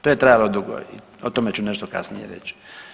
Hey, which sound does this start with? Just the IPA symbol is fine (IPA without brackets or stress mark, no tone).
t̪